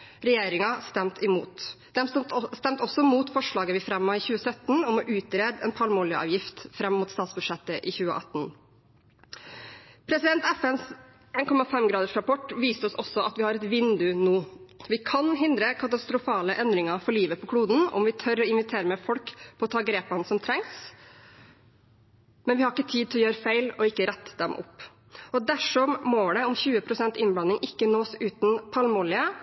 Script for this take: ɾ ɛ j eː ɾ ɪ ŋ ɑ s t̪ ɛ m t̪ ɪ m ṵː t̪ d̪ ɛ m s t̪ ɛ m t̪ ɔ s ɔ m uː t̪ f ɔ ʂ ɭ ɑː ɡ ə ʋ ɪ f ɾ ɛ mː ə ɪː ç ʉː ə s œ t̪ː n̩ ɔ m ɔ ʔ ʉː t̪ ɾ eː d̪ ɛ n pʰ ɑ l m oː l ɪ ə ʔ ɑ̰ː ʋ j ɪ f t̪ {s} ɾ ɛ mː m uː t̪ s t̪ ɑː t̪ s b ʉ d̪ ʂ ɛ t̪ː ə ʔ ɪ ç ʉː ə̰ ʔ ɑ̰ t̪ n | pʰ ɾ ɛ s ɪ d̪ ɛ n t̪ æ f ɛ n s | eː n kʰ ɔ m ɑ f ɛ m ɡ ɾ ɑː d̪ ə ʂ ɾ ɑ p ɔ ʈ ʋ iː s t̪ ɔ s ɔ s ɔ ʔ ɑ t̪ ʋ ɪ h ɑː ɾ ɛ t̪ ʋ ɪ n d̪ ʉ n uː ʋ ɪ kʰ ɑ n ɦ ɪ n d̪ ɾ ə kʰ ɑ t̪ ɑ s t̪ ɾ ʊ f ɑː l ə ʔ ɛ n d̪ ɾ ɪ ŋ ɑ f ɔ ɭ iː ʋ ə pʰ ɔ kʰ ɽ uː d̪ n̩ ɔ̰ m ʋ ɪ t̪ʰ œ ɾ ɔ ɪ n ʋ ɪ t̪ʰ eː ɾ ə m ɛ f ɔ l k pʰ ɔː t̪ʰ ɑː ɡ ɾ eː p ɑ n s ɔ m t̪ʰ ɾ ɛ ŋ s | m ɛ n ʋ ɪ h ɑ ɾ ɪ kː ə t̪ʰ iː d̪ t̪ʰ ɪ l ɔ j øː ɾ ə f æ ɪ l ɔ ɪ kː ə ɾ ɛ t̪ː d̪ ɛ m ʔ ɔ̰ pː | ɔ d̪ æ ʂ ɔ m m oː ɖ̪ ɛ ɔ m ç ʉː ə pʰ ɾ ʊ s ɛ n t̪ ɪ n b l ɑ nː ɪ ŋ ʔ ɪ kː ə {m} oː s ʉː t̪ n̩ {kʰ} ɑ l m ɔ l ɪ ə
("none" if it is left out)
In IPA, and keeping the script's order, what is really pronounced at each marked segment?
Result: f, n, pʰ

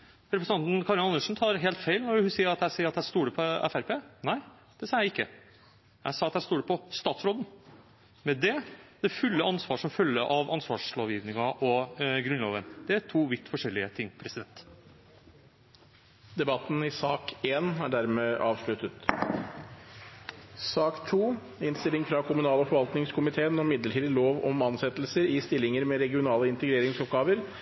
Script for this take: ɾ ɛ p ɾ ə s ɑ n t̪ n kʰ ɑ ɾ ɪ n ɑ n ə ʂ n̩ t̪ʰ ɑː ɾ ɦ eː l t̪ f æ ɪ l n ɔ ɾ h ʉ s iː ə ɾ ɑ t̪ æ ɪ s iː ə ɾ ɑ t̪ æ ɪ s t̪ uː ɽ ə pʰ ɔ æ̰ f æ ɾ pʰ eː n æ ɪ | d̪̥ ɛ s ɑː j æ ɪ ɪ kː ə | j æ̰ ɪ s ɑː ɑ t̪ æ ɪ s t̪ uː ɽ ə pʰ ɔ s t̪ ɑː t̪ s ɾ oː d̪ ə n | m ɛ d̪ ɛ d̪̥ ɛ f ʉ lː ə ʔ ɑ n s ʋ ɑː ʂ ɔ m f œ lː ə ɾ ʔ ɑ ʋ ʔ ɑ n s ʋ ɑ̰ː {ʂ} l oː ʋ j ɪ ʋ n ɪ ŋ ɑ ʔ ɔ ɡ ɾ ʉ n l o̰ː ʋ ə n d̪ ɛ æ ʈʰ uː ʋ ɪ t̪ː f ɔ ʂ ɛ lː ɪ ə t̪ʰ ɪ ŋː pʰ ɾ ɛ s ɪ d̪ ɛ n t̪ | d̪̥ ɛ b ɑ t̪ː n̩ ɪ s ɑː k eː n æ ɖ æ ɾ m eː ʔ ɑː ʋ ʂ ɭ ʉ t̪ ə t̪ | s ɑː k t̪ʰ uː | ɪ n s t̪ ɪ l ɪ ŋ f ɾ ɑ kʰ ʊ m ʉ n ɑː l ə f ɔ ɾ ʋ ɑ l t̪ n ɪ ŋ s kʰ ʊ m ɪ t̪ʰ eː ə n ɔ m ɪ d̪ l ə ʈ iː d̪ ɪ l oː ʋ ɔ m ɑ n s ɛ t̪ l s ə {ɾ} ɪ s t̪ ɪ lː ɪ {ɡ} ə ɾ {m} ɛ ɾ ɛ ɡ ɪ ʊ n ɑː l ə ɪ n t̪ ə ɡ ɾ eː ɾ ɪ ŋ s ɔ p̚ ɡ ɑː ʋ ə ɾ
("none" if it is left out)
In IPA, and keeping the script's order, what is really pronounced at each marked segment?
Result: ʂ, ɾ, ŋ, m

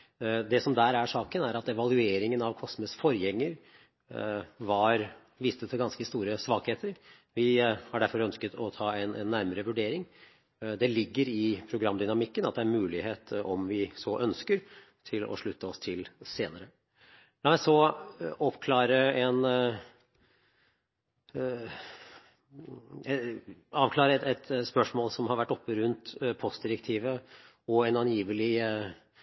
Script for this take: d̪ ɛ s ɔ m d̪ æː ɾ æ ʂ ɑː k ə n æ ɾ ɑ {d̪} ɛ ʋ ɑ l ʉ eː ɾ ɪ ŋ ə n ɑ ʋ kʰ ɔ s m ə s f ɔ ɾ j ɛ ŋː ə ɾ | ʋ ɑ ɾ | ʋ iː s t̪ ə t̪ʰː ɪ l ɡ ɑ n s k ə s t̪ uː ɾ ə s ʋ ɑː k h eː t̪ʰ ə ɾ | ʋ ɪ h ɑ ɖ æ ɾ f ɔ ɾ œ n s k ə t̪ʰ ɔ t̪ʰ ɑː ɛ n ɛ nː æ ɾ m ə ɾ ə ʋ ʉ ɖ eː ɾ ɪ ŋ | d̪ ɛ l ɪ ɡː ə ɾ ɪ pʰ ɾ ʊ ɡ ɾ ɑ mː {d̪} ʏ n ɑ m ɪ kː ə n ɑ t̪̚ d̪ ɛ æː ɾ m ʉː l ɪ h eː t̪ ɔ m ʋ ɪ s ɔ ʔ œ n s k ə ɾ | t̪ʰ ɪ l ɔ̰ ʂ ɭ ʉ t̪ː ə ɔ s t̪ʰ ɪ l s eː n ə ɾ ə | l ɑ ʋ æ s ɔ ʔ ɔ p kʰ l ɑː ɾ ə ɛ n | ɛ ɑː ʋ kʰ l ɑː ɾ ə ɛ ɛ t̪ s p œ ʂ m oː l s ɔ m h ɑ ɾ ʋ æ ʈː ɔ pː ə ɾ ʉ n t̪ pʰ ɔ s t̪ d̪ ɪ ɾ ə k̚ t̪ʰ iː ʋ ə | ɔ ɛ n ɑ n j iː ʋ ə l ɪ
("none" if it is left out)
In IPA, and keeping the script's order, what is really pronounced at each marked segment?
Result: t̪, d̪

